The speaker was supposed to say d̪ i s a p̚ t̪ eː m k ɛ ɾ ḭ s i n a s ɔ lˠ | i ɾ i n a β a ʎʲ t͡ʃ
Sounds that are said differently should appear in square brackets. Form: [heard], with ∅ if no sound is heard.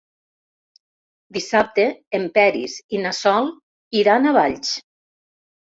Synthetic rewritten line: d̪ i s a p̚ t̪ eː m [p] ɛ ɾ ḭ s i n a s ɔ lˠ | i ɾ [a] n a β a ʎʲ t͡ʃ